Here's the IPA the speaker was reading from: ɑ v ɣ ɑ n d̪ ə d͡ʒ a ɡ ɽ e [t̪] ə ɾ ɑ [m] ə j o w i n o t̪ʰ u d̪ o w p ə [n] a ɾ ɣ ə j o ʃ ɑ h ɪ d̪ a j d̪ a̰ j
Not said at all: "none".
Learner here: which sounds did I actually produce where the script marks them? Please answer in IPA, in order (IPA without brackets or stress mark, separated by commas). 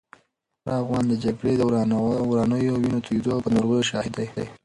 d̪, n, n